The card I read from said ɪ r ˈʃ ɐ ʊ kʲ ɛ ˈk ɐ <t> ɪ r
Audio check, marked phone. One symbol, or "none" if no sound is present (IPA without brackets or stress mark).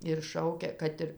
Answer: t